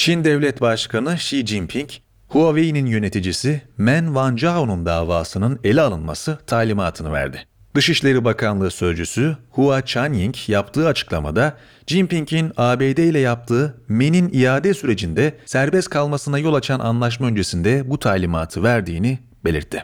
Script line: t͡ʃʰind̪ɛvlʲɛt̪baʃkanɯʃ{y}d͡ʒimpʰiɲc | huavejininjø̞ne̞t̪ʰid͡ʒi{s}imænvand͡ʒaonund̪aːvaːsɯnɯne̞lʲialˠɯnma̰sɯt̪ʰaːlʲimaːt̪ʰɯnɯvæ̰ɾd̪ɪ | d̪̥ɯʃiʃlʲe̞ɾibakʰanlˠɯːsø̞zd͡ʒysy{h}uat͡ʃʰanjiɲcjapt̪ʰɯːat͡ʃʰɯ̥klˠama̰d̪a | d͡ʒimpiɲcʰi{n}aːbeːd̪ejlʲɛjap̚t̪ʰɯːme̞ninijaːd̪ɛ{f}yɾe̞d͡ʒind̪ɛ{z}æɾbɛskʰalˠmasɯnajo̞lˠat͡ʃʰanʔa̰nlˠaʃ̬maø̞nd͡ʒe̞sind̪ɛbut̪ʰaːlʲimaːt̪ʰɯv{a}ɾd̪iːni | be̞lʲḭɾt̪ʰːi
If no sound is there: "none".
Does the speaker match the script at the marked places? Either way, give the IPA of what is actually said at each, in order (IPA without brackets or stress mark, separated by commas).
i, s, h, n, s, s, æ